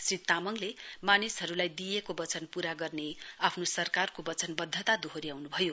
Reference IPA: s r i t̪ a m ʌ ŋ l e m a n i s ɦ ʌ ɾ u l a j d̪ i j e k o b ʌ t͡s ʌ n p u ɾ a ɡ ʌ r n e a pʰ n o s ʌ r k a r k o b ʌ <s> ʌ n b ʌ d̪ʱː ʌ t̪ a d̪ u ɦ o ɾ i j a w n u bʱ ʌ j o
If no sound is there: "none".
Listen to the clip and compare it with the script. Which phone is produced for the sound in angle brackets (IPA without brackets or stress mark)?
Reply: t͡s